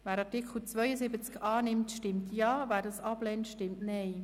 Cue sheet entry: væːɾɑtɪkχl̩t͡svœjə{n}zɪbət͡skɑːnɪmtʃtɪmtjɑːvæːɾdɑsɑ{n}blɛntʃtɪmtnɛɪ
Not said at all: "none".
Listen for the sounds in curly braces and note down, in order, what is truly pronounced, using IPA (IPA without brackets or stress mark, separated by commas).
none, none